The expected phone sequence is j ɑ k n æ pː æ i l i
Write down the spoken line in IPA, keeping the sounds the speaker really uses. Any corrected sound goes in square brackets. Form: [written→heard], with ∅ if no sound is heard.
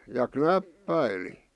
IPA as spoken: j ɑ k n æ pː æ i l i